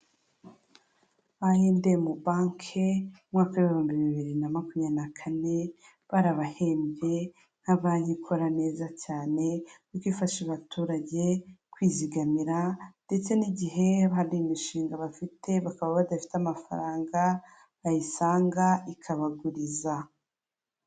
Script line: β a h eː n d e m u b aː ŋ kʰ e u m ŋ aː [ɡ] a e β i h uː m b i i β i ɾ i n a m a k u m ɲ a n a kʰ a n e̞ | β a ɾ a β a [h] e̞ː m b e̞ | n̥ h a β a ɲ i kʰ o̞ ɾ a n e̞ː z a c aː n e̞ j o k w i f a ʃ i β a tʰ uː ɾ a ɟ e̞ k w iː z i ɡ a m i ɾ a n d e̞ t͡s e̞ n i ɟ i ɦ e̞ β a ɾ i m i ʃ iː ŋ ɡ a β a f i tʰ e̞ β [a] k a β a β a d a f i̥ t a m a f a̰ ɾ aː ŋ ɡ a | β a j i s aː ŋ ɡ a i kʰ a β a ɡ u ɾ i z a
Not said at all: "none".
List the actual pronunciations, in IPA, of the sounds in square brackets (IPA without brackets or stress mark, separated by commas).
k, h, a